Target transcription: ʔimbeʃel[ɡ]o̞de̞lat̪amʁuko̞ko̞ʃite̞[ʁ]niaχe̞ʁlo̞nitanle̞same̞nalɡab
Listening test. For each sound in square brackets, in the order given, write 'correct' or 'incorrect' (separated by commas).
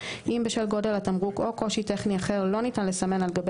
correct, incorrect